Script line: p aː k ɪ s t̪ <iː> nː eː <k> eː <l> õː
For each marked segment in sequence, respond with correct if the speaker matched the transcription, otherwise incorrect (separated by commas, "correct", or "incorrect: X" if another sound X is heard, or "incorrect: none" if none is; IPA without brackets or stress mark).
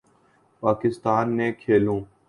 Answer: incorrect: aː, incorrect: kʰ, correct